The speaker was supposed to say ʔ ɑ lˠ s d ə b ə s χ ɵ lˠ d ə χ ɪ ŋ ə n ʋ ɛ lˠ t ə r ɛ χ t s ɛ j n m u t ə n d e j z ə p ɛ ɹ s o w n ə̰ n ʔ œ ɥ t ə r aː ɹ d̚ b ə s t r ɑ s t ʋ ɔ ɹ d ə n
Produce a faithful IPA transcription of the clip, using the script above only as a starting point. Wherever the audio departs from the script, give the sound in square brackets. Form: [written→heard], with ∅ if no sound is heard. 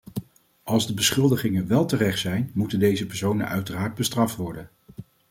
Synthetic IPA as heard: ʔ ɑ lˠ [s→z] d ə b ə s χ ɵ lˠ d ə χ ɪ ŋ ə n ʋ ɛ lˠ t ə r ɛ χ t s ɛ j n m u t ə n d e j z ə p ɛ ɹ s o w n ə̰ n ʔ œ ɥ t ə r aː ɹ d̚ b ə s t r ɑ [s→f] t ʋ ɔ ɹ d ə n